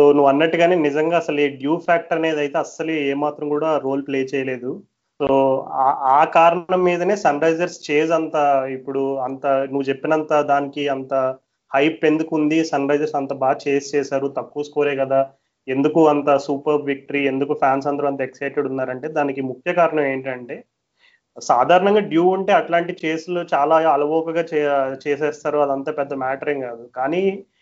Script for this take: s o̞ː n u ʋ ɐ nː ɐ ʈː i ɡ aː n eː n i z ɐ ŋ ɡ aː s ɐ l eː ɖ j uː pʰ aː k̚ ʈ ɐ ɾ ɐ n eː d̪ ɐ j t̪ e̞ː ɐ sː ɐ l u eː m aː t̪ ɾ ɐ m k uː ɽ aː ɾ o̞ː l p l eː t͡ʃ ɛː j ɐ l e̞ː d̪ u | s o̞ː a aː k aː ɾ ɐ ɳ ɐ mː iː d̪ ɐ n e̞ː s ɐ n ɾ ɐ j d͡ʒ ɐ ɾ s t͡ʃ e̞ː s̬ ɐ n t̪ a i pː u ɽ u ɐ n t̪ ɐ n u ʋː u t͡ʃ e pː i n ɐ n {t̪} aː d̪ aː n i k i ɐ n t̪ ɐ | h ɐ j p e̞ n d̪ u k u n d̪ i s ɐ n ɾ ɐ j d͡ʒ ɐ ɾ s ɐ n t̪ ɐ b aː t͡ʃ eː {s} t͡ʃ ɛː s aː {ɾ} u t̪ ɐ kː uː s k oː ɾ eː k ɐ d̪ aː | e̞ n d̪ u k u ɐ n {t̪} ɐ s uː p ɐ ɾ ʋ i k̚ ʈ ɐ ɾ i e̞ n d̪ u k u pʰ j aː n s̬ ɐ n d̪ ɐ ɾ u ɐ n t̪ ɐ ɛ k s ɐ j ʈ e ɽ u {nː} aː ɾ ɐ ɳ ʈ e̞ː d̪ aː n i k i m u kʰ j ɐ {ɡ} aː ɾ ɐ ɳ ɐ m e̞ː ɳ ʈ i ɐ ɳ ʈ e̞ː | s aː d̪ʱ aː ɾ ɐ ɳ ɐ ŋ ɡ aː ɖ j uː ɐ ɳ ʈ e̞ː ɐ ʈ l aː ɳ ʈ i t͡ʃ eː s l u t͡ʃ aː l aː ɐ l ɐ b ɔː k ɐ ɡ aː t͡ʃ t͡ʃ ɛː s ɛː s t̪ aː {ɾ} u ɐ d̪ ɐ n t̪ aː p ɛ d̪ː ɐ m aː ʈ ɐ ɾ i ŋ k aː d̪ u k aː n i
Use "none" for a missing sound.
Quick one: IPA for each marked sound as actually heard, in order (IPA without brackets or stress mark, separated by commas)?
t̪, s, ɾ, t̪, nː, k, ɾ